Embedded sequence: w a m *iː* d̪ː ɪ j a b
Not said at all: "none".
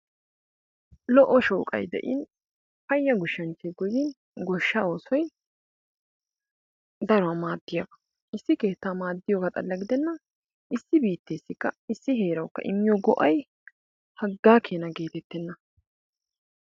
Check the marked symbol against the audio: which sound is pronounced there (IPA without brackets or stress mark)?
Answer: aː